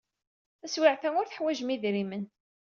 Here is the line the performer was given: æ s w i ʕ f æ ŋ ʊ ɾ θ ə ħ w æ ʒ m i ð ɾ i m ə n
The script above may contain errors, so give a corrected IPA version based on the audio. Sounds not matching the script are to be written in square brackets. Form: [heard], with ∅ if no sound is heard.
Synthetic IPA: æ s w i ʕ [θ] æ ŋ ʊ ɾ θ ə ħ w æ ʒ m i ð ɾ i m ə n